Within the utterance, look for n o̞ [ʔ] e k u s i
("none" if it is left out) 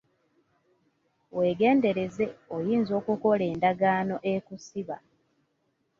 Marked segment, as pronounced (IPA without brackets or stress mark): ʔ